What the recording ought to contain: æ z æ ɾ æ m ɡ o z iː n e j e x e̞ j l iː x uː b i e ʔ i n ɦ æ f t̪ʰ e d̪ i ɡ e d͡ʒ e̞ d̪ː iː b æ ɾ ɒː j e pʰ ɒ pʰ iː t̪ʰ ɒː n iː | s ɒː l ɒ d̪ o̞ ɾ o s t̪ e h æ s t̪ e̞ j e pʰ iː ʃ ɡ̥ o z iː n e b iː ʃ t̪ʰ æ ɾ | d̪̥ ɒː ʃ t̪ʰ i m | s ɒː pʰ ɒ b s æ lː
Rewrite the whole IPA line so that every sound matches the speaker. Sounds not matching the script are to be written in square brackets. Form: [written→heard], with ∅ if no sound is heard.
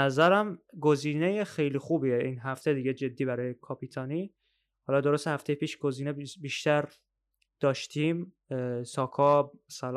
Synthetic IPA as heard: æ z æ ɾ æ m ɡ o z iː n e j e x e̞ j l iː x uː b i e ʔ i n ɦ æ f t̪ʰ e d̪ i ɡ e d͡ʒ e̞ d̪ː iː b æ ɾ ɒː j e [pʰ→kʰ] ɒ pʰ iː t̪ʰ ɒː n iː | [s→h] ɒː l ɒ d̪ o̞ ɾ o s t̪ e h æ [s→f] t̪ e̞ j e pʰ iː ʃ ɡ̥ o z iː n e b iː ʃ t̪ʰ æ ɾ | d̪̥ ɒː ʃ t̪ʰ i m | s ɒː [pʰ→kʰ] ɒ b s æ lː